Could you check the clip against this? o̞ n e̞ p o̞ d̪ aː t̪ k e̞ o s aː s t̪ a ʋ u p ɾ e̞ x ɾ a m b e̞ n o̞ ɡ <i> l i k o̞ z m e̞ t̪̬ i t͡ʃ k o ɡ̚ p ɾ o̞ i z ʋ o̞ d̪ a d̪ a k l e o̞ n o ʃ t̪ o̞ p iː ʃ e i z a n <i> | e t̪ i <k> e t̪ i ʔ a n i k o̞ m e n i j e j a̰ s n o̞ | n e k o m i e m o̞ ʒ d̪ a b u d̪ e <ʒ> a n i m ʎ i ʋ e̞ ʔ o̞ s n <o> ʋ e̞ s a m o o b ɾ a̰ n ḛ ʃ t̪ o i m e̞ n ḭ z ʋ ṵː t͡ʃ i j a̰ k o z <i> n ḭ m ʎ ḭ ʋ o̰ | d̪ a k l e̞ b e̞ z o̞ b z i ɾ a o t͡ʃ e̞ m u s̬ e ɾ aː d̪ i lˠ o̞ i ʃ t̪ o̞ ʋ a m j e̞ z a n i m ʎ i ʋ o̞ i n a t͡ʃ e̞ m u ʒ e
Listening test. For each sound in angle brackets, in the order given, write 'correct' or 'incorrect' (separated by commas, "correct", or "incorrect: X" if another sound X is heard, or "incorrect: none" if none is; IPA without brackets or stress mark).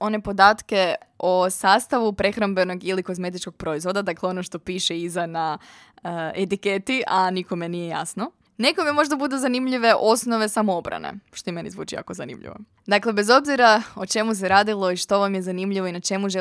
correct, incorrect: a, correct, incorrect: z, correct, incorrect: a